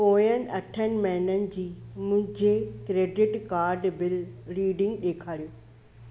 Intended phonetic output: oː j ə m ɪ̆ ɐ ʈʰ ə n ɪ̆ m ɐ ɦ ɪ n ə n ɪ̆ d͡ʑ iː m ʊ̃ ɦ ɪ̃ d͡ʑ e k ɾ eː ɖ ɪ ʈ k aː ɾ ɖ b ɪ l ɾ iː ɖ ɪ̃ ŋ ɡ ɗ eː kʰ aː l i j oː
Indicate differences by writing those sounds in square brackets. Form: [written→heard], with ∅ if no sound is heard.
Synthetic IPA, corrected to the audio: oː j ə [m→n] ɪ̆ ɐ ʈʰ ə n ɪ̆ m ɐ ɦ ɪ n ə n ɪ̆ d͡ʑ iː m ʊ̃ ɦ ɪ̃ d͡ʑ e k ɾ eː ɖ ɪ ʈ k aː ɾ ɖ b ɪ l ɾ iː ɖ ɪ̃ ŋ ɡ ɗ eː kʰ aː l i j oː